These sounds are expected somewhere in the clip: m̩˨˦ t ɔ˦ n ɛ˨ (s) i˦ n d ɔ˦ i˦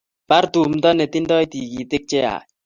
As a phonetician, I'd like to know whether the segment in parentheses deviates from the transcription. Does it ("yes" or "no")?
yes